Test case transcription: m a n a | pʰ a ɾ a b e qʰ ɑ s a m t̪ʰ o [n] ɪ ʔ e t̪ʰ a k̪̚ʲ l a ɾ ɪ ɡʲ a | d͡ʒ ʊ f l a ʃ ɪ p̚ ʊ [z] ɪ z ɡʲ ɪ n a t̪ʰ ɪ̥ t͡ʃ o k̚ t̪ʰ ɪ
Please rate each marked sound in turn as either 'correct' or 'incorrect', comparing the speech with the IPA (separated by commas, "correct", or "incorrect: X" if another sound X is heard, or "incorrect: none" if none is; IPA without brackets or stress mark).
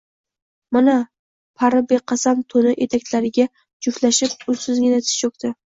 correct, incorrect: s